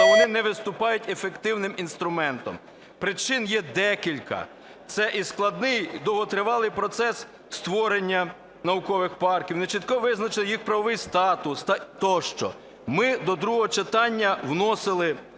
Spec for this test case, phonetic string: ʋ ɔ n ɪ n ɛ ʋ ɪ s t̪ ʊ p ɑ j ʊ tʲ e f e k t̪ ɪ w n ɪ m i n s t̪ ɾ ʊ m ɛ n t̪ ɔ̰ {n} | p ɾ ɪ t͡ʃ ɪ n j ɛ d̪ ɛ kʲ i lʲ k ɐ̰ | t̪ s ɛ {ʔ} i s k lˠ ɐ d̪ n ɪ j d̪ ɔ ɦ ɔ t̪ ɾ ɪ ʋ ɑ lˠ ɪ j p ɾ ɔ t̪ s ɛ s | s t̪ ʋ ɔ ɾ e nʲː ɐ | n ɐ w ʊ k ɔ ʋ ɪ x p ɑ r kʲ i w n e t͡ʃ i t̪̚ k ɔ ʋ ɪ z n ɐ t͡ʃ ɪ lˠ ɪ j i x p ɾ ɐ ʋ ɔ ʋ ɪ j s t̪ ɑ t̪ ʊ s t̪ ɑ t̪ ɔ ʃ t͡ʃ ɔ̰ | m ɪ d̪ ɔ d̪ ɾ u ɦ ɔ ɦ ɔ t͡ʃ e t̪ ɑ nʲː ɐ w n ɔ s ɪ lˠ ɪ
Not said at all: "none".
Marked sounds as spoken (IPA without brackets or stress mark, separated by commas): m, ʔ